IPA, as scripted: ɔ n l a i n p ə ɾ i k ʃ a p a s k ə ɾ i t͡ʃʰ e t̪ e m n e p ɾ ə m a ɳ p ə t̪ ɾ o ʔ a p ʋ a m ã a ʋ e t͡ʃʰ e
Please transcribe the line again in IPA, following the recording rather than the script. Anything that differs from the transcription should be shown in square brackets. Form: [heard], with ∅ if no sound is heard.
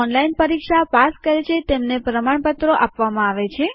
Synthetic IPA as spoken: ɔ n l a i n p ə ɾ i k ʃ a p a s k ə ɾ [e] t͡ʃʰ e t̪ e m n e p ɾ ə m a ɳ p ə t̪ ɾ o ʔ a p ʋ a m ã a ʋ e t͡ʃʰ e